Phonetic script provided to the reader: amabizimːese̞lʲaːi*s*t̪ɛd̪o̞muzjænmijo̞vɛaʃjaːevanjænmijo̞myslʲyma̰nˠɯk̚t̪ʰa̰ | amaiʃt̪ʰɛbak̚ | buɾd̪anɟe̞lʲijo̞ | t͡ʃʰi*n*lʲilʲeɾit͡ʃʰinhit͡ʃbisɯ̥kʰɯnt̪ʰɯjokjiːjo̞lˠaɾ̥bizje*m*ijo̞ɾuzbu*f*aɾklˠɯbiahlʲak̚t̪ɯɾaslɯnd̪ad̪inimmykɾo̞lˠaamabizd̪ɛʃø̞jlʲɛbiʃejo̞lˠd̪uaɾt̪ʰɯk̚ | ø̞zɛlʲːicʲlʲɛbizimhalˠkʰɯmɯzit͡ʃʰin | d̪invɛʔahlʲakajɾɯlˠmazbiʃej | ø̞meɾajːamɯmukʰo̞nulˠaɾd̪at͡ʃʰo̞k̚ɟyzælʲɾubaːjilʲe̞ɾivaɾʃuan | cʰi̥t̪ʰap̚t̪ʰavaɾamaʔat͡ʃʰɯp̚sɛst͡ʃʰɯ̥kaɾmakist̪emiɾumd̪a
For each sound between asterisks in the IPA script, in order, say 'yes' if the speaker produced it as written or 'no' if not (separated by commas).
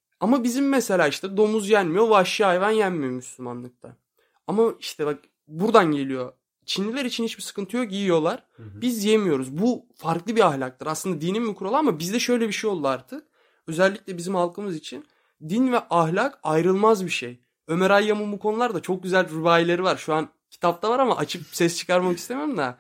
no, yes, yes, yes